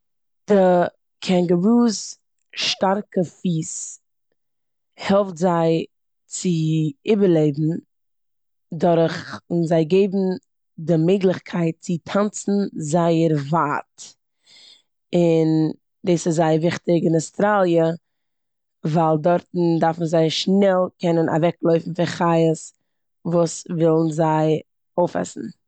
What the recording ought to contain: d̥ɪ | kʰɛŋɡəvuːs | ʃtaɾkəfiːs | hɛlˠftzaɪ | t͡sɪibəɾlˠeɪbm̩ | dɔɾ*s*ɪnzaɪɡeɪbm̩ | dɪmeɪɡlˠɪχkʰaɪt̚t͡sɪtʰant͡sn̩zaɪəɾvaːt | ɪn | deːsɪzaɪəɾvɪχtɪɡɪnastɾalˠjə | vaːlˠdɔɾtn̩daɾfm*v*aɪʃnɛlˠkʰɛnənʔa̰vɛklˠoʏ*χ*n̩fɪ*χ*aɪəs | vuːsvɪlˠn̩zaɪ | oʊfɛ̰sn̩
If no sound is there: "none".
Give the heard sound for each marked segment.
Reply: χ, z, f, χ

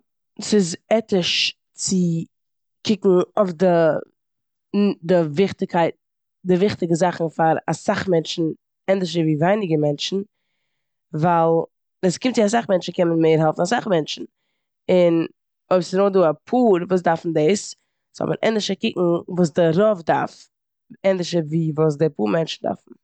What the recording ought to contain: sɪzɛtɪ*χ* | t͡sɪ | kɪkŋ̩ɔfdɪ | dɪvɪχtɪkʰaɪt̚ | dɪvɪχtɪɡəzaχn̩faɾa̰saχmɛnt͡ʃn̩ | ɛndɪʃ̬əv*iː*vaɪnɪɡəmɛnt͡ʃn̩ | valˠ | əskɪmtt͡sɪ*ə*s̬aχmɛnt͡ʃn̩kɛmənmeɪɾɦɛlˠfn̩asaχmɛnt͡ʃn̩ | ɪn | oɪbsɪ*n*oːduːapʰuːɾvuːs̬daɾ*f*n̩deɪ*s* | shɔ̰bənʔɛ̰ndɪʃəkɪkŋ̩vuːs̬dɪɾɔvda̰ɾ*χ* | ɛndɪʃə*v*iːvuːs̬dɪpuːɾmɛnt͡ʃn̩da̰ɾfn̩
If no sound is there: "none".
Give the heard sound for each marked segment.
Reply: ʃ, iː, a, n, f, s, f, v

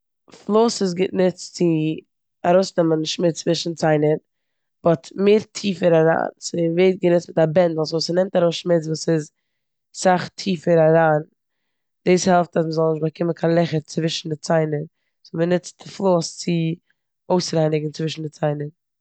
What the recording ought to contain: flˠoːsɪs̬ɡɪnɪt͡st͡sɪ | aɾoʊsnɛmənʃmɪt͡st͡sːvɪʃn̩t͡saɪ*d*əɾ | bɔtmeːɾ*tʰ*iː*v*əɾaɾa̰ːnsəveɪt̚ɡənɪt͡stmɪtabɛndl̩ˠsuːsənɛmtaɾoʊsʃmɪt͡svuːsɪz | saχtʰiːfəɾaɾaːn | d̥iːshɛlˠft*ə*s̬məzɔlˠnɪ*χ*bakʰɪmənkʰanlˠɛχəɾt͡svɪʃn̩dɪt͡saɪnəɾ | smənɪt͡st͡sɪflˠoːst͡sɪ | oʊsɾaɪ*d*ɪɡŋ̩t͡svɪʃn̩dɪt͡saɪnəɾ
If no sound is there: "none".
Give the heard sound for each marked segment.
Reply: n, tʰ, f, a, ʃ, n

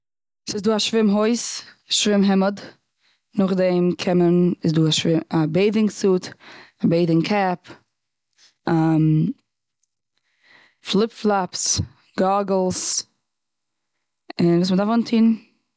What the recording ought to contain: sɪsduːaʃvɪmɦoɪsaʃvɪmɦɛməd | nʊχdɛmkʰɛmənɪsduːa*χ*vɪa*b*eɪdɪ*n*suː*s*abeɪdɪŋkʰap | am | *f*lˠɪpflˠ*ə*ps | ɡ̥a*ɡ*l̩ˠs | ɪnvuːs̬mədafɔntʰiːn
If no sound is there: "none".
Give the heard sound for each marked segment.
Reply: ʃ, b, ŋ, t, f, a, ɡ

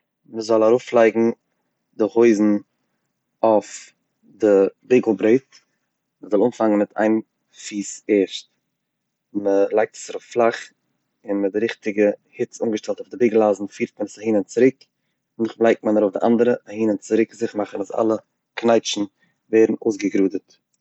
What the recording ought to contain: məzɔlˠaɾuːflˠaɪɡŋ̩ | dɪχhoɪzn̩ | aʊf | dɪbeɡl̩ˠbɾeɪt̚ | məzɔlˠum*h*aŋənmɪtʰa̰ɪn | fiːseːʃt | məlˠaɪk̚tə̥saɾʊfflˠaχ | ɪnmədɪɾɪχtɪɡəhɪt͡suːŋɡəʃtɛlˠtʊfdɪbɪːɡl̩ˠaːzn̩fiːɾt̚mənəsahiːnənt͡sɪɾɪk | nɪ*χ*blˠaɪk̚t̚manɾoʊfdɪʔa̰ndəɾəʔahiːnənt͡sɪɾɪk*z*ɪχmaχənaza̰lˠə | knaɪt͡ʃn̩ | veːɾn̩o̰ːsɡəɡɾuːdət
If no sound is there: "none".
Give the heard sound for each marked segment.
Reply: f, χ, z

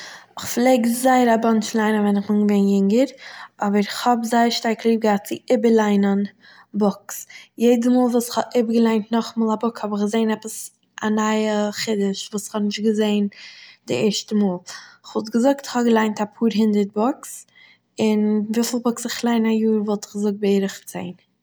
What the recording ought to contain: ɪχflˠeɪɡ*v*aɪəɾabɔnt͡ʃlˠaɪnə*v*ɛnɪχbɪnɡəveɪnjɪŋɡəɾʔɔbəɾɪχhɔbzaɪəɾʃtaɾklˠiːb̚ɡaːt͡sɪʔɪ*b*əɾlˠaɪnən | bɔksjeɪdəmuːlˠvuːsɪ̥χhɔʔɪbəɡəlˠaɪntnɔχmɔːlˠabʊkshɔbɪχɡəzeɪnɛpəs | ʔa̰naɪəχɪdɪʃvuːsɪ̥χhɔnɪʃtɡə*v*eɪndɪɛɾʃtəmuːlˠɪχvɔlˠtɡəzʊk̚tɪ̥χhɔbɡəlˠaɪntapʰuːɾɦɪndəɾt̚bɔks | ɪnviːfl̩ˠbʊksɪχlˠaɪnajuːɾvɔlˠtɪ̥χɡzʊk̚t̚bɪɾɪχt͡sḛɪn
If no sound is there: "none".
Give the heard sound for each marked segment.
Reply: z, v, b, z

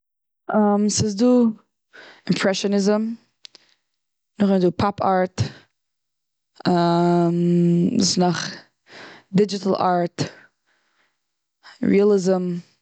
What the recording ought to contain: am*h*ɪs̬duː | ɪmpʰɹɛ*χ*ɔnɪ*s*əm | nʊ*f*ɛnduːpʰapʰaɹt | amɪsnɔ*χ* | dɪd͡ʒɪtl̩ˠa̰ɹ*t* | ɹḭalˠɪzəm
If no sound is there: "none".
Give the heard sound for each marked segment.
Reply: s, ʃ, z, χ, χ, t

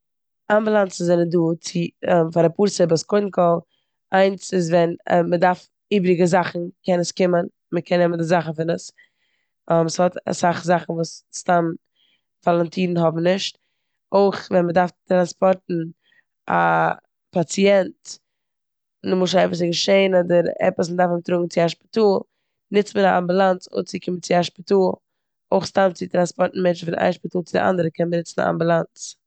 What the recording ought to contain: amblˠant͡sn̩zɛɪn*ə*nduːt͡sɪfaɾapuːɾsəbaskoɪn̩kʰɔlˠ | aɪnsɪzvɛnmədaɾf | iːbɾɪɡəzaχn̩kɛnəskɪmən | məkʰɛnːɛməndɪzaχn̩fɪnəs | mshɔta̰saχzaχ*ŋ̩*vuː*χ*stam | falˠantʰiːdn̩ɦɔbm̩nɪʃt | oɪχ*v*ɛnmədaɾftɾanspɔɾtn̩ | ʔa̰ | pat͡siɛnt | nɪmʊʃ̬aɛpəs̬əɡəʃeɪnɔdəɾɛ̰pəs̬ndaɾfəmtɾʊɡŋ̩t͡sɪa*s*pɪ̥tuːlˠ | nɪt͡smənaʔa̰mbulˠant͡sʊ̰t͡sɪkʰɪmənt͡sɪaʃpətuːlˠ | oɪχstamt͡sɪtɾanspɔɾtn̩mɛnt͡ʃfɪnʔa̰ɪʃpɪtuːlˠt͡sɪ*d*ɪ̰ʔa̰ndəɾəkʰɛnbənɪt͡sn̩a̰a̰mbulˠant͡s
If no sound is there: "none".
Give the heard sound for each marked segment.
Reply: ə, n̩, s, v, ʃ, d

